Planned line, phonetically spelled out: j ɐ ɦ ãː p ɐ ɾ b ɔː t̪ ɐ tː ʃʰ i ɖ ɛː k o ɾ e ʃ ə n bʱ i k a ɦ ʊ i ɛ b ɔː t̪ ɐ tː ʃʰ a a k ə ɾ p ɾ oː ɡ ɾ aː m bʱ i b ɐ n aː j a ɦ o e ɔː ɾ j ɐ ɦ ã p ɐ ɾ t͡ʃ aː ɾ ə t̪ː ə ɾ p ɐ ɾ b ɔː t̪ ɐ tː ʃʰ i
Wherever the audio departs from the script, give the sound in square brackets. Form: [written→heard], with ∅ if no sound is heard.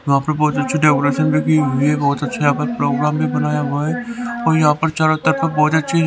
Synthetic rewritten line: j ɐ ɦ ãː p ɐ ɾ b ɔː t̪ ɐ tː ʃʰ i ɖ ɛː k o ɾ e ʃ ə n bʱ i k [a→i] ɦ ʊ i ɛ b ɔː t̪ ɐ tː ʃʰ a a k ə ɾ p ɾ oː ɡ ɾ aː m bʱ i b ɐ n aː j a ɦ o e ɔː ɾ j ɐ ɦ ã p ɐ ɾ t͡ʃ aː ɾ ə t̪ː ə ɾ p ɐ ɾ b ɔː t̪ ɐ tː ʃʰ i

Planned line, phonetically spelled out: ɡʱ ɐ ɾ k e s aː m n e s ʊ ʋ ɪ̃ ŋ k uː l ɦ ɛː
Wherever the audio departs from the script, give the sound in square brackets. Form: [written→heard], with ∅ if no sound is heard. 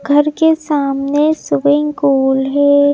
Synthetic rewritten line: ɡʱ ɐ ɾ k e s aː m n e s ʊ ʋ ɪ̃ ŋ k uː l ɦ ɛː

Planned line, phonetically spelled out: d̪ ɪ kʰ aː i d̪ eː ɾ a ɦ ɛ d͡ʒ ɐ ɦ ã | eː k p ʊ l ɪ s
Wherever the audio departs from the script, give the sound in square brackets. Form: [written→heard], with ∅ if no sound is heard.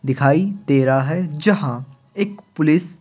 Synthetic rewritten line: d̪ ɪ kʰ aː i [d̪→t̪] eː ɾ a ɦ ɛ d͡ʒ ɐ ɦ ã | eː k p ʊ l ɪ s

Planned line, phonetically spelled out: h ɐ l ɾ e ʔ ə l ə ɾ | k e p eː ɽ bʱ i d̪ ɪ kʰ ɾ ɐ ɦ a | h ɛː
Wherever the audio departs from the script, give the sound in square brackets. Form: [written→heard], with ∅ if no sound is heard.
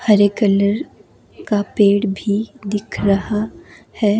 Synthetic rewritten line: h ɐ [l→∅] ɾ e [ʔ→k] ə l ə ɾ | k [e→a] p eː ɽ bʱ i d̪ ɪ kʰ ɾ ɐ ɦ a | h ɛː

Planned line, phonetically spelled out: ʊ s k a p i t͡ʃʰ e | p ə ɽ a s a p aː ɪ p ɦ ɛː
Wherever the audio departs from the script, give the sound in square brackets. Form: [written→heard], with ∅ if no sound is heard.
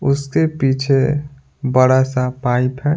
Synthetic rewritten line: ʊ s k [a→e] p [i→iː] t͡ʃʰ e | [p→b] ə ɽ a s a p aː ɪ p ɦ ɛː

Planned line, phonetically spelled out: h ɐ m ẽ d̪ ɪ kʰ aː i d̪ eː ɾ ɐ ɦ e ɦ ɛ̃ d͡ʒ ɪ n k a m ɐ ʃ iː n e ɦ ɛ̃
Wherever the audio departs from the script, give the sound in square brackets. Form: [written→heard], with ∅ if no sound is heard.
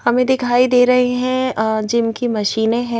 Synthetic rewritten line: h ɐ m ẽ d̪ ɪ kʰ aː i d̪ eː ɾ ɐ ɦ e ɦ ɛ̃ d͡ʒ ɪ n k [a→i] m ɐ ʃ iː n e ɦ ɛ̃

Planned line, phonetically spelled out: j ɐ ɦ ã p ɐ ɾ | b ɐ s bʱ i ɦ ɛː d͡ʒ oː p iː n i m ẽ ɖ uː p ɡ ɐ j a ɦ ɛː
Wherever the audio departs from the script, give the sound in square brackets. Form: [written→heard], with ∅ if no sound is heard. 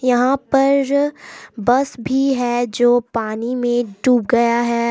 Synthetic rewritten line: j ɐ ɦ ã p ɐ ɾ | b ɐ s bʱ i ɦ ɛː d͡ʒ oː p [iː→aː] n i m ẽ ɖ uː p ɡ ɐ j a ɦ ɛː

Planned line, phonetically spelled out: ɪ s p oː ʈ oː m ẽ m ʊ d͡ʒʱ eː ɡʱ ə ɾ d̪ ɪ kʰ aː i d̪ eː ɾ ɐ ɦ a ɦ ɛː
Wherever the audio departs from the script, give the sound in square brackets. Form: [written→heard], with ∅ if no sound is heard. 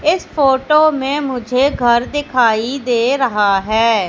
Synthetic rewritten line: ɪ s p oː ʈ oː m ẽ m ʊ d͡ʒʱ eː ɡʱ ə ɾ d̪ ɪ kʰ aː i d̪ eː ɾ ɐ ɦ a ɦ ɛː

